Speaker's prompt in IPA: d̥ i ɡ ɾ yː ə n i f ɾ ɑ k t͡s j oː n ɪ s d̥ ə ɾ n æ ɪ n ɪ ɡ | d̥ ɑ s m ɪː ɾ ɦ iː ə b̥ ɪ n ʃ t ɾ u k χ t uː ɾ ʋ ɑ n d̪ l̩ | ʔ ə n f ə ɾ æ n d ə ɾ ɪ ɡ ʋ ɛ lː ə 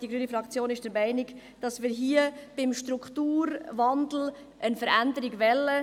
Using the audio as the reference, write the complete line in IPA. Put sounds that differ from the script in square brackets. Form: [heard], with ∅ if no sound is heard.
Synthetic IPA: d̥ i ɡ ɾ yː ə n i f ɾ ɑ k t͡s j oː n ɪ [ʃ] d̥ ə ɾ [m] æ ɪ n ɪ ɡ | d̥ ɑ s m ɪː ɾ ɦ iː ə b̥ ɪ [m] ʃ t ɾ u k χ t uː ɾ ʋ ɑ n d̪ l̩ | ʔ ə n f ə ɾ æ n d ə ɾ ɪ ɡ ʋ ɛ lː ə